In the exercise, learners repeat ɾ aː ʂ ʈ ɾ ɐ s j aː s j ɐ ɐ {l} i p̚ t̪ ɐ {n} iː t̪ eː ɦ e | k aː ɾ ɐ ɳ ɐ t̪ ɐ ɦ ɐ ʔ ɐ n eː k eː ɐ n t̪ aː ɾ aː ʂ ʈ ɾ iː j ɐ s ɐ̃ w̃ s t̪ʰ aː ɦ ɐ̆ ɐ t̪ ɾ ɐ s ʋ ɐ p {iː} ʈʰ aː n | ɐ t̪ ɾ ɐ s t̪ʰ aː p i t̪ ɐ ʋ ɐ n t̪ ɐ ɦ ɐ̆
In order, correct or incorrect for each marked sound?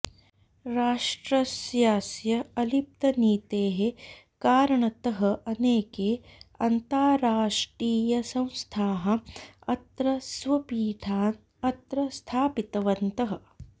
correct, correct, correct

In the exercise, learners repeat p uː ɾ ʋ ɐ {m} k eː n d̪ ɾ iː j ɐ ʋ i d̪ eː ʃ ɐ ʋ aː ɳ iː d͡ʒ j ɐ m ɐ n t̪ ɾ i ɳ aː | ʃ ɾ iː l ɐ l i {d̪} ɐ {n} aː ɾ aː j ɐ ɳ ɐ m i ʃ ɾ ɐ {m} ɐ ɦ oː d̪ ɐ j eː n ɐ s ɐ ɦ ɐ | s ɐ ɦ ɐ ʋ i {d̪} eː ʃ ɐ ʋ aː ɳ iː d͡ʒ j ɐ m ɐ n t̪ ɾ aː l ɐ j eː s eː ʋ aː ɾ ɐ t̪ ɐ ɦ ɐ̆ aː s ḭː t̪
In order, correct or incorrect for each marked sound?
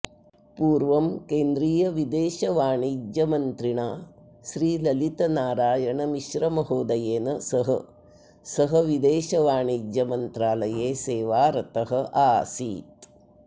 correct, incorrect: t̪, correct, correct, correct

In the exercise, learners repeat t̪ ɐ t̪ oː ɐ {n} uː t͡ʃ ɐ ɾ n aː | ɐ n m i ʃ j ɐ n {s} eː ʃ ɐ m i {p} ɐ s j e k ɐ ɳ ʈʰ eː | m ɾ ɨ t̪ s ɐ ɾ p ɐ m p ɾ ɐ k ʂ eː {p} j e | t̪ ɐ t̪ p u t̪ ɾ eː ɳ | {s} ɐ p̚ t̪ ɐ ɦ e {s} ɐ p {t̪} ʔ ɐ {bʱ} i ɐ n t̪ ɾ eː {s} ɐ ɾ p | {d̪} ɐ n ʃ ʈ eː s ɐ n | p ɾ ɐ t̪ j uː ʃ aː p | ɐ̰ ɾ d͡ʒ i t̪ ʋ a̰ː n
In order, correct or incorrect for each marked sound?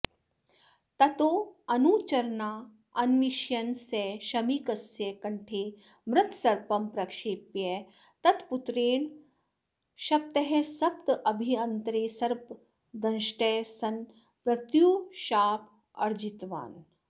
correct, correct, incorrect: k, correct, incorrect: ʃ, correct, correct, correct, correct, correct

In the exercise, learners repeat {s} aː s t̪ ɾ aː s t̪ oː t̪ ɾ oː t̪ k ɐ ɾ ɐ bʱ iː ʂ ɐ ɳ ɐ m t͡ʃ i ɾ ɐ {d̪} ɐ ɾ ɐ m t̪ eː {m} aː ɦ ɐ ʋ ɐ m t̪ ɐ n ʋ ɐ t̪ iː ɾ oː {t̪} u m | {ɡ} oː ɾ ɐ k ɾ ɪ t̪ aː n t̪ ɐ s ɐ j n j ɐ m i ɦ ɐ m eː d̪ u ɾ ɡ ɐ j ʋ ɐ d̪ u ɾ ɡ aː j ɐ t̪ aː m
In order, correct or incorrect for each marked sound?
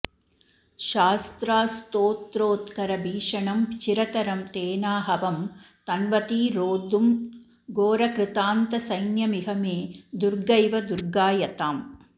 incorrect: ʃ, incorrect: t̪, incorrect: n, incorrect: d̪, correct

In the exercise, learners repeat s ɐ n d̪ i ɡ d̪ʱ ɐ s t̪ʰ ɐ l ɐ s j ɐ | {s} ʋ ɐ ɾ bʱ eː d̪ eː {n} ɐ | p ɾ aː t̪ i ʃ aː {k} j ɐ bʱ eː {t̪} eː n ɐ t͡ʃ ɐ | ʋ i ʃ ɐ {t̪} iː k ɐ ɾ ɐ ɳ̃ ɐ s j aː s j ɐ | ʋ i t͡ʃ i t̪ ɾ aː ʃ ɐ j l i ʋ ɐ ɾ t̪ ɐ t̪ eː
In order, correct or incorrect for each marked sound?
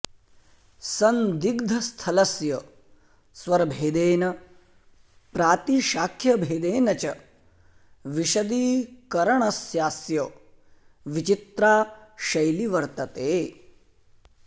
correct, correct, incorrect: kʰ, incorrect: d̪, incorrect: d̪

